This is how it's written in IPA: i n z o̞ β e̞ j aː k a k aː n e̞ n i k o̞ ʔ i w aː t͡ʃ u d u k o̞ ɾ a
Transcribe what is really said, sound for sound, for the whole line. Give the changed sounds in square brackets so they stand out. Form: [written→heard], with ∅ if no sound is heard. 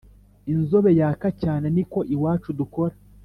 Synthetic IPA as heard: i n z o̞ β e̞ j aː k a [k→c] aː n e̞ n i k o̞ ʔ i w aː t͡ʃ u d u k o̞ ɾ a